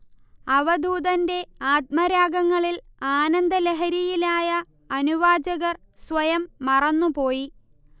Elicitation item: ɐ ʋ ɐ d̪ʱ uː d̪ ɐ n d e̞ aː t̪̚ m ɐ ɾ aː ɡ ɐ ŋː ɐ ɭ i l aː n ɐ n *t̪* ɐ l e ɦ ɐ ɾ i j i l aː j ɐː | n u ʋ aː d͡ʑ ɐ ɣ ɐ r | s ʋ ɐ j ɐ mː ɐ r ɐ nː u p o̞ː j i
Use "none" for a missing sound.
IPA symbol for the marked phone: d̪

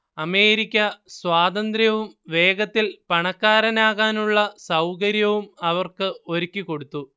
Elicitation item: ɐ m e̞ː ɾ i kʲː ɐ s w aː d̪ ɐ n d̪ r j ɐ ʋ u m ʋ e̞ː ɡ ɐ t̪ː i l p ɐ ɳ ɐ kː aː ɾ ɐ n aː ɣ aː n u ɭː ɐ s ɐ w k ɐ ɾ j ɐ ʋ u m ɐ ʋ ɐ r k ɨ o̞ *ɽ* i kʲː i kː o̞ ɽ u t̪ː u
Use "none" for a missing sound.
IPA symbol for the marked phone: ɾ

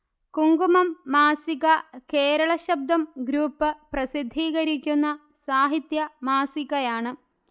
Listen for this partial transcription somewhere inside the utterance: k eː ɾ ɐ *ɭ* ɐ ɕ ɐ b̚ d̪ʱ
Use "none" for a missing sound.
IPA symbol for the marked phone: ɭ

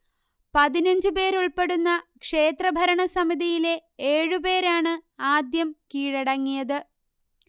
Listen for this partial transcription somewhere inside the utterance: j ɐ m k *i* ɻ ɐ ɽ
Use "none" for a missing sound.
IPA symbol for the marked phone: iː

